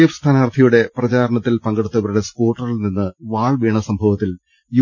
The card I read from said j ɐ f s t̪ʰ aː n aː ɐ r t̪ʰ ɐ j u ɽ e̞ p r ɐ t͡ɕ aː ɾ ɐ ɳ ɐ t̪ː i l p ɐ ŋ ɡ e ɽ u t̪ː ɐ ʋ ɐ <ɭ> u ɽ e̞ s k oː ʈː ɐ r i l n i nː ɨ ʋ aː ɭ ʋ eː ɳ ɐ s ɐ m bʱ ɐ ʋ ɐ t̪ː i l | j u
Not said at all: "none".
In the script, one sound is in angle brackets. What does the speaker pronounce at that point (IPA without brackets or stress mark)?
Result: ɾ